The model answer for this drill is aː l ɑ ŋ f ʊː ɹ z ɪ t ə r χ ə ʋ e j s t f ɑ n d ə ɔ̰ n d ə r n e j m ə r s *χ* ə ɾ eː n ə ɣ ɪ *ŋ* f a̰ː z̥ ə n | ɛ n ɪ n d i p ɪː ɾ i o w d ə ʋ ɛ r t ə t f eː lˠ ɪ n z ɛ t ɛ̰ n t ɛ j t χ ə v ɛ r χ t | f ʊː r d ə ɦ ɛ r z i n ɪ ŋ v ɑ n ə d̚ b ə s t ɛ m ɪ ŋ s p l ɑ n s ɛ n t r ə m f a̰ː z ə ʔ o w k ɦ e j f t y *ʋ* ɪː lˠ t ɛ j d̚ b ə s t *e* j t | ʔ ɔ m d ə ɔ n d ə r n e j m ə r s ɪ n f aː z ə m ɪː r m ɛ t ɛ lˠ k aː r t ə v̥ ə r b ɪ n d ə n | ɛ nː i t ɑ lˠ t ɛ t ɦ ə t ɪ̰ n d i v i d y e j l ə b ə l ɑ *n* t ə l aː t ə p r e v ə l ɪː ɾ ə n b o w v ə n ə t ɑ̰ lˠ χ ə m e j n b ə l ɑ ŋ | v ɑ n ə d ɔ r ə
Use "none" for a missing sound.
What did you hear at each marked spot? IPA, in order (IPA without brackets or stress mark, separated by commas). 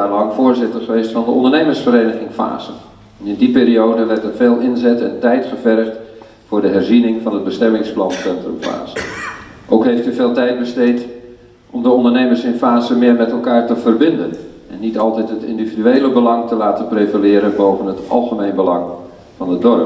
f, ŋ, v, e, ŋ